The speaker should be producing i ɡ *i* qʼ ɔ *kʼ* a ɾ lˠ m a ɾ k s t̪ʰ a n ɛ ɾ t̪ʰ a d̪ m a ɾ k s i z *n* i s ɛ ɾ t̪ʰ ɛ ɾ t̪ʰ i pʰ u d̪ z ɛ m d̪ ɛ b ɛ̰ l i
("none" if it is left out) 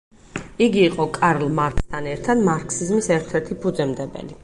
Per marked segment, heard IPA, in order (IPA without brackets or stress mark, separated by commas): iː, kʼ, m